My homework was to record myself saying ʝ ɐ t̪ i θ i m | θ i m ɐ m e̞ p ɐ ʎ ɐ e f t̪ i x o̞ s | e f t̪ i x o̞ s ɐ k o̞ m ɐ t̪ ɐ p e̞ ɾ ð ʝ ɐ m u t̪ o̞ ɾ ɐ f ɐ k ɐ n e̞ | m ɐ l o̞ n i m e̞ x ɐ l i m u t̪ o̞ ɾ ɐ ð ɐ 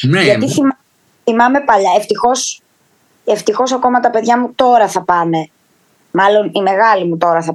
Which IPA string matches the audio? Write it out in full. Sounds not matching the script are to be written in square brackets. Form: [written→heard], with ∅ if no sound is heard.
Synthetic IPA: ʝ ɐ t̪ i θ i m | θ i m ɐ m e̞ p ɐ ʎ ɐ e f t̪ i x o̞ s | e f t̪ i x o̞ s ɐ k o̞ m ɐ t̪ ɐ p e̞ [ɾ→∅] ð ʝ ɐ m u t̪ o̞ ɾ ɐ [f→θ] ɐ [k→p] ɐ n e̞ | m ɐ l o̞ n i m e̞ [x→ɣ] ɐ l i m u t̪ o̞ ɾ ɐ [ð→θ] ɐ